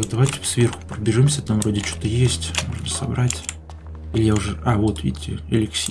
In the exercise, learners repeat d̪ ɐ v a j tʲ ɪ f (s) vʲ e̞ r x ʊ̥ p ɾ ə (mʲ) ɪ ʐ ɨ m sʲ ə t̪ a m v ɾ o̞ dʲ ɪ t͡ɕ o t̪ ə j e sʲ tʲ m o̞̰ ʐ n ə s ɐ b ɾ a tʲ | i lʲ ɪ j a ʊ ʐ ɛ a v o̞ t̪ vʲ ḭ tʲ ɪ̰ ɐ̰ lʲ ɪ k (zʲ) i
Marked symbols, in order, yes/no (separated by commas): yes, no, no